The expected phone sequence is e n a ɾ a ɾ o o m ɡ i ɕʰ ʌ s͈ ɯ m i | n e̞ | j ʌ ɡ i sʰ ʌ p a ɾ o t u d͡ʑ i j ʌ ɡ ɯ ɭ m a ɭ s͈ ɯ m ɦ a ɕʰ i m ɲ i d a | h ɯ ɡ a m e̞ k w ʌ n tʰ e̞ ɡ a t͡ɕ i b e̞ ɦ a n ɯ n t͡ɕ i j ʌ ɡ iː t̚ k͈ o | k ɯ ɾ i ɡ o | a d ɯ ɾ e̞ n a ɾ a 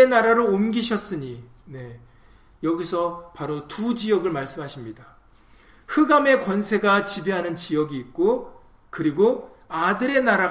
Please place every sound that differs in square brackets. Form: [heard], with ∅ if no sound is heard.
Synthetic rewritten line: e n a ɾ a ɾ o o m ɡ i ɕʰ ʌ s͈ ɯ [ɲ] i | n e̞ | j ʌ ɡ i sʰ ʌ p a ɾ o t u d͡ʑ i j ʌ ɡ ɯ ɭ m a ɭ s͈ ɯ m ɦ a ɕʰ i m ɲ i d a | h ɯ ɡ a m e̞ k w ʌ n [sʰ] e̞ ɡ a t͡ɕ i b e̞ ɦ a n ɯ n t͡ɕ i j ʌ ɡ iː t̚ k͈ o | k ɯ ɾ i ɡ o | a d ɯ ɾ e̞ n a ɾ a